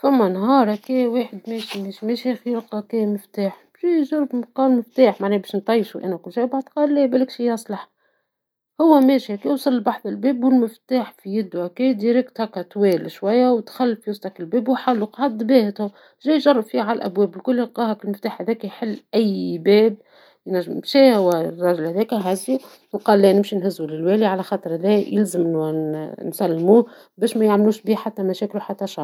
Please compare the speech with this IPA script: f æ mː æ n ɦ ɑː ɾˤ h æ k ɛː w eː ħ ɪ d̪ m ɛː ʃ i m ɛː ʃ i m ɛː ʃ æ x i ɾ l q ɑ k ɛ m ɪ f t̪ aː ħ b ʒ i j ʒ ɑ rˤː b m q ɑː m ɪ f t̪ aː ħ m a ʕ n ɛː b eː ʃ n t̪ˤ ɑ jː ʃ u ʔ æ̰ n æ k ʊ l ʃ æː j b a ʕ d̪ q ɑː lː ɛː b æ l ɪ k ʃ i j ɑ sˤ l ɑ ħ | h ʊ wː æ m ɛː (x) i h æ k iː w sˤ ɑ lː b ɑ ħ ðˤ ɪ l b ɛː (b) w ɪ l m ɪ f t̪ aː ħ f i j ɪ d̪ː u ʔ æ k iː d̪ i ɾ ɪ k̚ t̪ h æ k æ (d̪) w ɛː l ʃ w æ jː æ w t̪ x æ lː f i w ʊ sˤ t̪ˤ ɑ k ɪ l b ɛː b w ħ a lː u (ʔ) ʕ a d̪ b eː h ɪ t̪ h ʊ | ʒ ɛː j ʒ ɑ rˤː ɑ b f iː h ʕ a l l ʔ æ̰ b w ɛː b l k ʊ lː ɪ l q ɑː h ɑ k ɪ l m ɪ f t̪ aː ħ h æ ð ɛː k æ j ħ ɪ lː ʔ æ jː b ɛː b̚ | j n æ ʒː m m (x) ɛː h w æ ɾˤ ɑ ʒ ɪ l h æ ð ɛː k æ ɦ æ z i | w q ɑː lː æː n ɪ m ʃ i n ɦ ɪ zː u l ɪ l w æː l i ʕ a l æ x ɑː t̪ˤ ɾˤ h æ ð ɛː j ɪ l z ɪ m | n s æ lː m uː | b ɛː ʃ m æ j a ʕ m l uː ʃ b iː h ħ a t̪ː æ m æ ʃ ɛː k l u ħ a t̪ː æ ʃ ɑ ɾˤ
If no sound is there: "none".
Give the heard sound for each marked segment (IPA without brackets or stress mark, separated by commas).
ʃ, b, t̪, q, ʃ